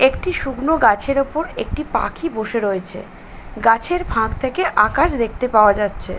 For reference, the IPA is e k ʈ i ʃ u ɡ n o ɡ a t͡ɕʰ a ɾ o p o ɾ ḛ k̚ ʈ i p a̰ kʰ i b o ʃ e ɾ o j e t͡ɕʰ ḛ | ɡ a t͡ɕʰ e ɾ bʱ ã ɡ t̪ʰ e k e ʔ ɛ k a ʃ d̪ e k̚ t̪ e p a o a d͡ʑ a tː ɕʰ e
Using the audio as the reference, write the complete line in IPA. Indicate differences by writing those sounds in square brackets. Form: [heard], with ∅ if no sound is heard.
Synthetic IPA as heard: e k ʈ i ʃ u ɡ n o ɡ a t͡ɕʰ [e] ɾ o p o ɾ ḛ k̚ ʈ i p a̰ kʰ i b o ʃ e ɾ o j e t͡ɕʰ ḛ | ɡ a t͡ɕʰ e ɾ bʱ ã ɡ t̪ʰ e k e ʔ [a] k a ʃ d̪ e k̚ t̪ e p a o a d͡ʑ a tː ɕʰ e